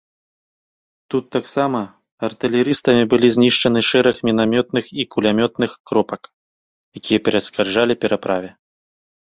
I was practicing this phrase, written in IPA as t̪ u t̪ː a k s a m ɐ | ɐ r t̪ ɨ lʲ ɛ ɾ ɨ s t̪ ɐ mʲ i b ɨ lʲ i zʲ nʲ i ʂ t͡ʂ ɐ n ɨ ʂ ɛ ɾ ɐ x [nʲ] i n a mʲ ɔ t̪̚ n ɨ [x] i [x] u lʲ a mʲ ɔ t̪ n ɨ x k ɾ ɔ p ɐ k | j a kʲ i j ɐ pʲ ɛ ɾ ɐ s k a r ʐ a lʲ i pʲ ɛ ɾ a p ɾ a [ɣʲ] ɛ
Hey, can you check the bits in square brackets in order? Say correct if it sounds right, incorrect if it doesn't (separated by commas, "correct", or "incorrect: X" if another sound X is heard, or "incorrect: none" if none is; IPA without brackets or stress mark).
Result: incorrect: mʲ, correct, incorrect: k, incorrect: vʲ